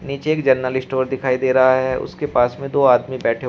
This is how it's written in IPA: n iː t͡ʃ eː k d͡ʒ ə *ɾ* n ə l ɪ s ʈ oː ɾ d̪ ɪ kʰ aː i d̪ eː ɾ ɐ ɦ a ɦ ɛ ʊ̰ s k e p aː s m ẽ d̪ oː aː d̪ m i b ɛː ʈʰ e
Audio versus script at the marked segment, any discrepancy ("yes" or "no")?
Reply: no